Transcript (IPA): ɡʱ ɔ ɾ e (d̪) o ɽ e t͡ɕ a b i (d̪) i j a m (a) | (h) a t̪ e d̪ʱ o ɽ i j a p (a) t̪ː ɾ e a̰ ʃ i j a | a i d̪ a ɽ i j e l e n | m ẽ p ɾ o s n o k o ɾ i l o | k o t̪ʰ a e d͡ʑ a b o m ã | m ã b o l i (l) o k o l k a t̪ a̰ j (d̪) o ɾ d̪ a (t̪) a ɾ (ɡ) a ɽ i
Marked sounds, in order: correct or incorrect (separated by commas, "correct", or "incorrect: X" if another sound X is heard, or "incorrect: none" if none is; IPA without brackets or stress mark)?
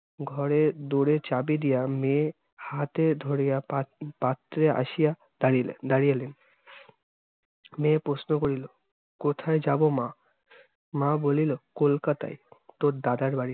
correct, correct, incorrect: e, correct, correct, correct, incorrect: t̪, incorrect: d̪, incorrect: b